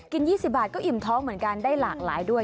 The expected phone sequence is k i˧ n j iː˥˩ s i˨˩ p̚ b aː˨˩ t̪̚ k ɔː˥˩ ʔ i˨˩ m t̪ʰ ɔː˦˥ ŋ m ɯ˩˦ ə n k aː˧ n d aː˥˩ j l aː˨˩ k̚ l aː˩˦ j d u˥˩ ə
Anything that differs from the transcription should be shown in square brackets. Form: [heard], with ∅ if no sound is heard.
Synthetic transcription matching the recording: k i˧ n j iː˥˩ s i˨˩ p̚ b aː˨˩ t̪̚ k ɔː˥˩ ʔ i˨˩ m t̪ʰ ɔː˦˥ ŋ m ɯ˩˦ ə n k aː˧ n d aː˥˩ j l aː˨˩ k̚ l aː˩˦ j d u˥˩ ə